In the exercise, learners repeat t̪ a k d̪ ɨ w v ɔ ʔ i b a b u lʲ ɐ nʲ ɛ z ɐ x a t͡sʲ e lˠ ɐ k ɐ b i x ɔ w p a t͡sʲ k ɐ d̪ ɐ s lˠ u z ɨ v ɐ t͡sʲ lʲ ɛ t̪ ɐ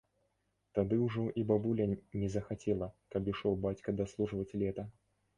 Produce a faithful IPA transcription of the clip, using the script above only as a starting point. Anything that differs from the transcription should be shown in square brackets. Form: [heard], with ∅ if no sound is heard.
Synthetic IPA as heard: t̪ a [∅] d̪ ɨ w [ʐ] ɔ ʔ i b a b u lʲ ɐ nʲ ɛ z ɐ x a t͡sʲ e lˠ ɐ k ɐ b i [ʂ] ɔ w [b] a t͡sʲ k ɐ d̪ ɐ s lˠ u [ʐ] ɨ v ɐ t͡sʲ lʲ ɛ t̪ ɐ

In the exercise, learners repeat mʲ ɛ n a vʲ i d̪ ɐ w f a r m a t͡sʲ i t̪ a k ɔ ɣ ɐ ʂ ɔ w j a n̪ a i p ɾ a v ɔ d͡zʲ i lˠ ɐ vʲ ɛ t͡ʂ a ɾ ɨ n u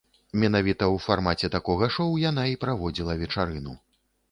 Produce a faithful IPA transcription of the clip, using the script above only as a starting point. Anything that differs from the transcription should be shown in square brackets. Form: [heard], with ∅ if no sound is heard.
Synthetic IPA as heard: mʲ ɛ n a vʲ i [t̪] ɐ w f a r m a t͡sʲ [ɛ] t̪ a k ɔ ɣ ɐ ʂ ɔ w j a n̪ a i p ɾ a v ɔ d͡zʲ i lˠ ɐ vʲ ɛ t͡ʂ a ɾ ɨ n u

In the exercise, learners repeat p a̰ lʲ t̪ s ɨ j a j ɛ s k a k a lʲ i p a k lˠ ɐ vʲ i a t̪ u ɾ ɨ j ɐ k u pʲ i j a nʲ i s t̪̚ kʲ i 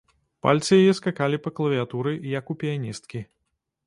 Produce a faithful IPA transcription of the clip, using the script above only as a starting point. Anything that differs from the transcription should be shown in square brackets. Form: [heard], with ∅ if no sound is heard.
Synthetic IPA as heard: p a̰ lʲ t̪ s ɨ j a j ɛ s k a k a lʲ i p [ɐ] k lˠ ɐ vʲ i a t̪ u ɾ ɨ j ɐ k u pʲ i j a nʲ i s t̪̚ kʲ i

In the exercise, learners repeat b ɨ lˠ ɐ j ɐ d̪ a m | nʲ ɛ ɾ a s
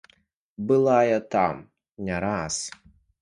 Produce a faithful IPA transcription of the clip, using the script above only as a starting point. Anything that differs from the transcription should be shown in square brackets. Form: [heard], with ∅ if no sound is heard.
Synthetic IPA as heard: b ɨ lˠ [a] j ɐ [t̪] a m | nʲ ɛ ɾ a s

